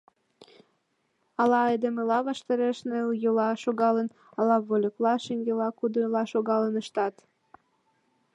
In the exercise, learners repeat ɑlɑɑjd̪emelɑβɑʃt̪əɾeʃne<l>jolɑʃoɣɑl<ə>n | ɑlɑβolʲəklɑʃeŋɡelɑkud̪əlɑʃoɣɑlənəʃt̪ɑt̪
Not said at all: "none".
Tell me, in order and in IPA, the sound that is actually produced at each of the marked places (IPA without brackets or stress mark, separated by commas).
l, ə